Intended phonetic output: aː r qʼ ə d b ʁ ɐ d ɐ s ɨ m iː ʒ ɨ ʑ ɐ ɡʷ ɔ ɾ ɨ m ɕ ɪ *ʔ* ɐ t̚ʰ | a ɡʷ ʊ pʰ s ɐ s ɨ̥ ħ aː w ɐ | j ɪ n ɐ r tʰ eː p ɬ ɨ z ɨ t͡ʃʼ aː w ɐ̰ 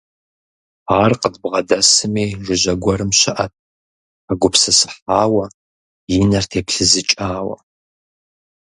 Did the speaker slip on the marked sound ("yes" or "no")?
no